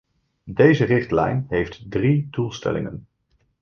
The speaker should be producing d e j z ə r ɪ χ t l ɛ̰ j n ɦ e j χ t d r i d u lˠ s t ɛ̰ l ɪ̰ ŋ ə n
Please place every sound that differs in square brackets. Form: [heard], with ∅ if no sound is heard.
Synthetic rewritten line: d e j z ə r ɪ χ t l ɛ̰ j n ɦ e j [f] t d r i d u lˠ s t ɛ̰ l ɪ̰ ŋ ə n